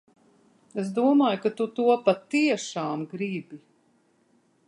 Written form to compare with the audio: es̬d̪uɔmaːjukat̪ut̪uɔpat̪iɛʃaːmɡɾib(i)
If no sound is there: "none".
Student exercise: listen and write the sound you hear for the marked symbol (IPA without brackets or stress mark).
i